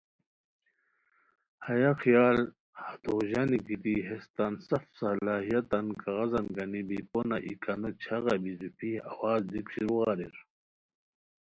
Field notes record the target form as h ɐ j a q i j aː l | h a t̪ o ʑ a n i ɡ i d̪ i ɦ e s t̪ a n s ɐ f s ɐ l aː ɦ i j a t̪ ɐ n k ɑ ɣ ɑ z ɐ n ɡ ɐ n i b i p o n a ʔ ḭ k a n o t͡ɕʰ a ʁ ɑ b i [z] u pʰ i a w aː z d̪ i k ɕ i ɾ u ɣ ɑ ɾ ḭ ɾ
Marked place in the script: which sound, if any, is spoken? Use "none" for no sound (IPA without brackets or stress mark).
z